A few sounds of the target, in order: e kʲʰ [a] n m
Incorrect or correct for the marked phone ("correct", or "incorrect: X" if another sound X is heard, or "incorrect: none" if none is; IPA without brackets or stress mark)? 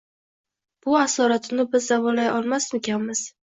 correct